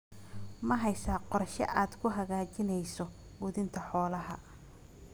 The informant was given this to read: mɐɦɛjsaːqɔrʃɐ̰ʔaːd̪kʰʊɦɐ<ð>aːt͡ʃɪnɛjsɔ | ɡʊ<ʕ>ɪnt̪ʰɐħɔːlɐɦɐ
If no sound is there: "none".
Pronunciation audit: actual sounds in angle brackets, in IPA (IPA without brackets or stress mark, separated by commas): ɣ, ð